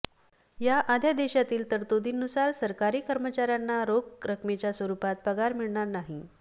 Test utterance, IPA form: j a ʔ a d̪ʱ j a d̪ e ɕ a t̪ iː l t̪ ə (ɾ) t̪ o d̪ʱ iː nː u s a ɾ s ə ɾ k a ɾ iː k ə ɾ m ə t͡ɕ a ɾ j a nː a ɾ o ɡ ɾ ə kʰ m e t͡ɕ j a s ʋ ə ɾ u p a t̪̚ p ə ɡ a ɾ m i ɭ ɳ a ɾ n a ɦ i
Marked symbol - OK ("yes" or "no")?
yes